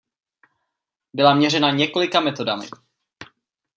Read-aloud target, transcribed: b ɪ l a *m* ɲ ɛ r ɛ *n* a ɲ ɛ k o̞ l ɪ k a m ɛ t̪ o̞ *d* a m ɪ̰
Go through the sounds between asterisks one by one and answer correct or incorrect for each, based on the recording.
correct, correct, correct

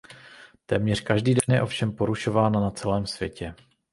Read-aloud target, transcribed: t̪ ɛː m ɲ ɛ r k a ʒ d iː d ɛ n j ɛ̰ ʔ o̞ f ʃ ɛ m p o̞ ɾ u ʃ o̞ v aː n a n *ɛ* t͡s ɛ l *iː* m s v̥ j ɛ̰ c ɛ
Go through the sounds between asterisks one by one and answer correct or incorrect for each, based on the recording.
incorrect, incorrect

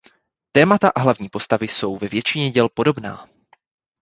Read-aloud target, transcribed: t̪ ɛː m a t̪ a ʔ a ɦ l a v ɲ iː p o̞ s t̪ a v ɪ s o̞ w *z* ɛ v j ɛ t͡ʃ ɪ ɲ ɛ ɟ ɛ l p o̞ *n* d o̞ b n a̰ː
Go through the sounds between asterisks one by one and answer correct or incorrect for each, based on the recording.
incorrect, incorrect

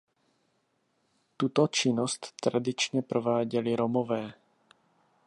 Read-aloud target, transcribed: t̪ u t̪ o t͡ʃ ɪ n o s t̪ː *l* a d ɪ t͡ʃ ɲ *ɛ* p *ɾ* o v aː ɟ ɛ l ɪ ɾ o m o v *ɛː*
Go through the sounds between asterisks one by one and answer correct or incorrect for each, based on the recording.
incorrect, correct, correct, correct

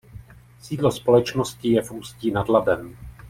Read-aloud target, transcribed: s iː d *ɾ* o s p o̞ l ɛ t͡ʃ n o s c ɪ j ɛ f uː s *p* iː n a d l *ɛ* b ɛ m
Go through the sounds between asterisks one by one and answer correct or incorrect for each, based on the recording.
incorrect, incorrect, incorrect

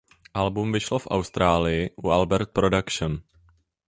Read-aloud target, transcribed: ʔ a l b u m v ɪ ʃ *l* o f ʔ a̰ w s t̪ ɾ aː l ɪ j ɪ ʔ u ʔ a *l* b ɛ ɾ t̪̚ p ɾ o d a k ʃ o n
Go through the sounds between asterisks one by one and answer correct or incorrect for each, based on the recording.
correct, correct

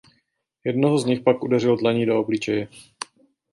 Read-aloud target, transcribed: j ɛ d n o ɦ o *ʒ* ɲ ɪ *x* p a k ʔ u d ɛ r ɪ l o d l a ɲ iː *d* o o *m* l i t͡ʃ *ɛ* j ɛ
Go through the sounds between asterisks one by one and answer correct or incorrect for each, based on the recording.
incorrect, correct, correct, incorrect, correct

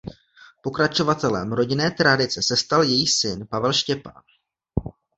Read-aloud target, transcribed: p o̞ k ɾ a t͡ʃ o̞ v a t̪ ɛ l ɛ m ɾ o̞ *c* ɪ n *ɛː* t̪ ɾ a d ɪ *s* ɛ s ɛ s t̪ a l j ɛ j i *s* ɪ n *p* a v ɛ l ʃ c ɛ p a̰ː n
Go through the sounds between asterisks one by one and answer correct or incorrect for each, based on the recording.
incorrect, correct, incorrect, correct, correct

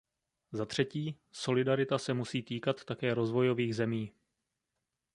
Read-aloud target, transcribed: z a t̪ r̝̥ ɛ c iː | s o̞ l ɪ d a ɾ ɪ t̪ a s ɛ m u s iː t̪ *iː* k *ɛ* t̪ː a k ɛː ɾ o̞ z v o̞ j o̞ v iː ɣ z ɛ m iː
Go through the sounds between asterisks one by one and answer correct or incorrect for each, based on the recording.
correct, incorrect

